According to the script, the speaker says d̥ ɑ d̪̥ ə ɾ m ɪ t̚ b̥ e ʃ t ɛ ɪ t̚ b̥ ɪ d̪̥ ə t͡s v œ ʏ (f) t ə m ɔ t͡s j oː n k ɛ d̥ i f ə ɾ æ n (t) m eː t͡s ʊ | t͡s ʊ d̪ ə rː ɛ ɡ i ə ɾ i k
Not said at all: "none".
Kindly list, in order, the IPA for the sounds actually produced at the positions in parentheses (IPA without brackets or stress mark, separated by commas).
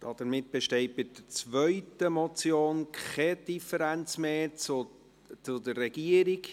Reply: none, t͡s